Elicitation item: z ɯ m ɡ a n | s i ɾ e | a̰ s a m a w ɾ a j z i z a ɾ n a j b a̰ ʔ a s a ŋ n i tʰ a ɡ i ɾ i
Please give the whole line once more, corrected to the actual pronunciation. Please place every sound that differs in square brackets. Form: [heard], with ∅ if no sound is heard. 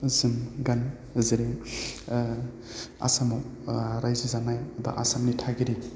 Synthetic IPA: z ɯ m ɡ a n | [z] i ɾ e | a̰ s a m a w ɾ a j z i z a [∅] n a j b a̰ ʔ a s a [m] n i tʰ a ɡ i ɾ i